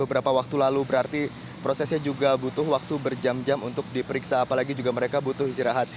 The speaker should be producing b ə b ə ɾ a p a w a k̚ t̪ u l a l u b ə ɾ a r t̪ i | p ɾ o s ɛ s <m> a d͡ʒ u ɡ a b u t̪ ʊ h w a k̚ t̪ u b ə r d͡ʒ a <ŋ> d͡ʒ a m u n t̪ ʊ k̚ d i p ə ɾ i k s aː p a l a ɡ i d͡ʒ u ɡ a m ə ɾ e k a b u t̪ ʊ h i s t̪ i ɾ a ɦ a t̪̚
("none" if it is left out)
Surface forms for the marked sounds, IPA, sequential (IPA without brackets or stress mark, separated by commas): ɲ, m